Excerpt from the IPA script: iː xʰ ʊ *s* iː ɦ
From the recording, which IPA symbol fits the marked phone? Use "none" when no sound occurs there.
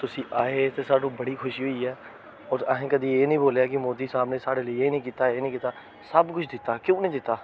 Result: ʃ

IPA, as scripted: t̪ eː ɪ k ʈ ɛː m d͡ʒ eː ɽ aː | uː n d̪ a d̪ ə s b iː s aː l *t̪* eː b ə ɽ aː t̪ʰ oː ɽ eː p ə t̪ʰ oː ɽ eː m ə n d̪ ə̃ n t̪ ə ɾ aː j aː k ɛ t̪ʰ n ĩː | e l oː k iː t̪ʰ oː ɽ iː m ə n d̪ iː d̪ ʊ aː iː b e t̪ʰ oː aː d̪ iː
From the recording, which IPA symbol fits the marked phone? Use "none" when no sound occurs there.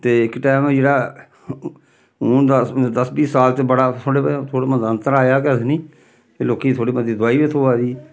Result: t̪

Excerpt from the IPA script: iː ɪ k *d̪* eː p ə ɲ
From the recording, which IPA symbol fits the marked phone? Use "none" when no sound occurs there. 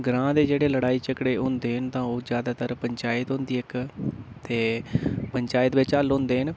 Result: t̪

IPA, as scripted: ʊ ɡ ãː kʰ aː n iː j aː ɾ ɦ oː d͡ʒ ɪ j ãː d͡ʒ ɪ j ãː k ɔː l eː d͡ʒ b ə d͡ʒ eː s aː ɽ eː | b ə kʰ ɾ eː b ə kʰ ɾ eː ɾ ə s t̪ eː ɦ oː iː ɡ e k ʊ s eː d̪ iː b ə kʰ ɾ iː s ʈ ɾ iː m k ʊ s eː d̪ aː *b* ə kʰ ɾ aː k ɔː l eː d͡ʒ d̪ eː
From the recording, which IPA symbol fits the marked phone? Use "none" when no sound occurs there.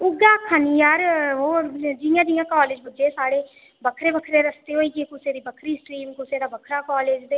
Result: b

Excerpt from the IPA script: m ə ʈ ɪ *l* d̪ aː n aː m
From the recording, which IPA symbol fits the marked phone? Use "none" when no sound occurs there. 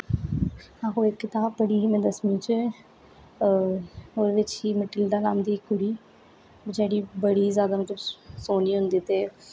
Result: l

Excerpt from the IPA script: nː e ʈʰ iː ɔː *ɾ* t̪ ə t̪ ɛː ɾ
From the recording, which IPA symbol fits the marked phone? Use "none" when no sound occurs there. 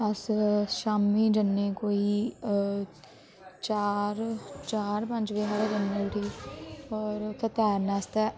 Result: ɾ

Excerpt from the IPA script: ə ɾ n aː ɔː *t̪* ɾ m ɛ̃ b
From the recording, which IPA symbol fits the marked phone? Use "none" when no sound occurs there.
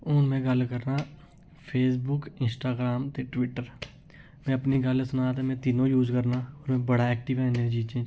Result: none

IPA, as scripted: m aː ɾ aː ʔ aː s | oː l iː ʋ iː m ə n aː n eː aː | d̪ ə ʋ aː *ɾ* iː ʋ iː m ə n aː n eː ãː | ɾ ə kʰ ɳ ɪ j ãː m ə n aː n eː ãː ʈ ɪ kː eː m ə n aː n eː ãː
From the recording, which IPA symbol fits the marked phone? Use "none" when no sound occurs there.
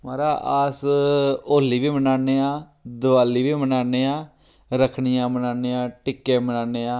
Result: l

